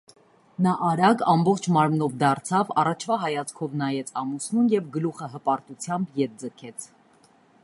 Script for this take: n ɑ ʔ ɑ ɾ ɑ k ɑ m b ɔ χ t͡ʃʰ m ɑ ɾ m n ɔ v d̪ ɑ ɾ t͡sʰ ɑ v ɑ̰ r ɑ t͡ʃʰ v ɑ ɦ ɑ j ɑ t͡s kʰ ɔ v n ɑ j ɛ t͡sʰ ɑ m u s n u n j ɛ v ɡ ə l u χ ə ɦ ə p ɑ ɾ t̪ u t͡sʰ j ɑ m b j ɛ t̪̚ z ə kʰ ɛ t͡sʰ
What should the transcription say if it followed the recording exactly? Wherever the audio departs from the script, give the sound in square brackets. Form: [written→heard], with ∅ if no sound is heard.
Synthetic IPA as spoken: n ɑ ʔ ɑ ɾ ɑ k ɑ m b ɔ χ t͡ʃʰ m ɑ ɾ m n ɔ v d̪ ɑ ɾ t͡sʰ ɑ v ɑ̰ r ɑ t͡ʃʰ v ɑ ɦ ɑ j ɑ t͡s kʰ ɔ v n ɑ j ɛ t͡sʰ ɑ m u s n u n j ɛ v ɡ ə l u χ ə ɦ ə p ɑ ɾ t̪ u t͡sʰ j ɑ m b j ɛ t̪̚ [z→d͡z] ə kʰ ɛ t͡sʰ